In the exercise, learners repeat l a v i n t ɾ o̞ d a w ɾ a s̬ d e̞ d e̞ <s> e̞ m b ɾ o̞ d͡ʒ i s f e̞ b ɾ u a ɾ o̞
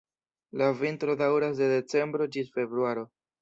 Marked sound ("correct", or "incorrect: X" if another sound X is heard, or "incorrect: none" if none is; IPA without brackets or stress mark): incorrect: t͡s